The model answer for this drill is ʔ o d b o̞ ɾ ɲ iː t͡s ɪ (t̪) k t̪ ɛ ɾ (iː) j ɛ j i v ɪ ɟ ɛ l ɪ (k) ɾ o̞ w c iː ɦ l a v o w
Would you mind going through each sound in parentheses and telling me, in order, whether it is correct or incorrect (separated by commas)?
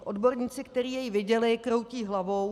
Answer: incorrect, correct, correct